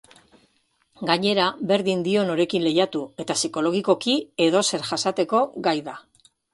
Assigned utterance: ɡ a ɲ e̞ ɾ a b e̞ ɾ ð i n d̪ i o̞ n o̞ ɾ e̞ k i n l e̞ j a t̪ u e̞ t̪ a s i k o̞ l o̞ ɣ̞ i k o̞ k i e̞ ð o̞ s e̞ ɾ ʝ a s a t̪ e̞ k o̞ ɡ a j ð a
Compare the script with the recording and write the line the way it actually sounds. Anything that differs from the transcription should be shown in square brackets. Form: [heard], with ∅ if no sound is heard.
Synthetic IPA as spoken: ɡ a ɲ e̞ ɾ a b e̞ ɾ ð i n d̪ i o̞ n o̞ ɾ e̞ k i n l e̞ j a t̪ u e̞ t̪ a s i k o̞ l o̞ ɣ̞ i k o̞ k i e̞ ð o̞ s e̞ ɾ ʝ a s a t̪ e̞ k o̞ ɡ a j ð a